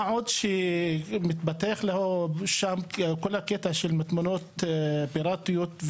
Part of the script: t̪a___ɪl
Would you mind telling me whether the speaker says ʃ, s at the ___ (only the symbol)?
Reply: ʃ